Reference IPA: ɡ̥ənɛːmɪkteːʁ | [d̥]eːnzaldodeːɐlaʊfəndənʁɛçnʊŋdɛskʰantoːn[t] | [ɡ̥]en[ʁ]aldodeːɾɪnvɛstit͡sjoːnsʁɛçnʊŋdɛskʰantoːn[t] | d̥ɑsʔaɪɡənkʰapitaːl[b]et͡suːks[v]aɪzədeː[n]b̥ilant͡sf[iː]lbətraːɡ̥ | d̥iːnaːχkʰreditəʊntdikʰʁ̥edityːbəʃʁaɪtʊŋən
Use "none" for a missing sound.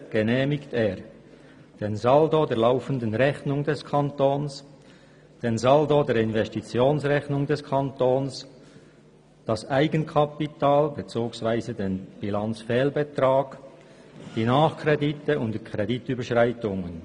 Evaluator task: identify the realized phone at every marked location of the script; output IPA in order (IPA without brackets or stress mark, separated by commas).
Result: d̥, s, d̥, z, s, b, v, n, ɛː